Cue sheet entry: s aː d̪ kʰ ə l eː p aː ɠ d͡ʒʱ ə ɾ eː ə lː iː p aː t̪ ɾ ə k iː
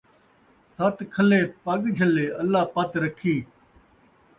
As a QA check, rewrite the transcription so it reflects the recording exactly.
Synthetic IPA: s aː t̪ kʰ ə l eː p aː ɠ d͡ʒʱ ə l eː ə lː aː p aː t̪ ɾ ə kʰ iː